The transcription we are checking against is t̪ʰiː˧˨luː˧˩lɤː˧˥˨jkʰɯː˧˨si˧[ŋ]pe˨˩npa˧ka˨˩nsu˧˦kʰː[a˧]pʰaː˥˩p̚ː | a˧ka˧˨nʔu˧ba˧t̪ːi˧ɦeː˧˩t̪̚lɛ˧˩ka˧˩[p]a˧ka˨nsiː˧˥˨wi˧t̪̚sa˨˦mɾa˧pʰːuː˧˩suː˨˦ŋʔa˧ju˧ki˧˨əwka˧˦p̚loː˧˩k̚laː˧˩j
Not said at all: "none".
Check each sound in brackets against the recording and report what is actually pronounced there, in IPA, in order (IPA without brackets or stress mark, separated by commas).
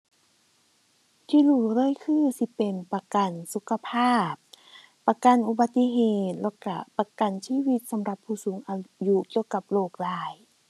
none, a˧, p